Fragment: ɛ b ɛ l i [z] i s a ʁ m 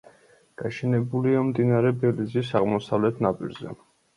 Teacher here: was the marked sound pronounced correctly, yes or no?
yes